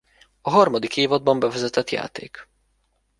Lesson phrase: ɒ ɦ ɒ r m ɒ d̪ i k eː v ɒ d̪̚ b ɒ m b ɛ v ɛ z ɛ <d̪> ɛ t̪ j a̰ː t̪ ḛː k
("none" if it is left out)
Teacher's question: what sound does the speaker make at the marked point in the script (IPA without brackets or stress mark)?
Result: t̪